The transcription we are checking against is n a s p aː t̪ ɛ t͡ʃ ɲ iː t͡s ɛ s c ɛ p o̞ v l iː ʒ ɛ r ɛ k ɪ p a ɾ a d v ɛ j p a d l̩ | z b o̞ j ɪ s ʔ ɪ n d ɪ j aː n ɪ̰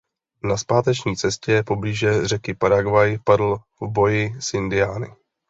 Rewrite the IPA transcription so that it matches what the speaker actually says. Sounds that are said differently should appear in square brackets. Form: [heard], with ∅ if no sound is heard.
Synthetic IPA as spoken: n a s p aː t̪ ɛ t͡ʃ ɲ iː t͡s ɛ s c ɛ p o̞ [b] l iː ʒ ɛ r ɛ k ɪ p a ɾ a [ɡ] v [a] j p a d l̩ | [v] b o̞ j ɪ s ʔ ɪ n d ɪ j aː n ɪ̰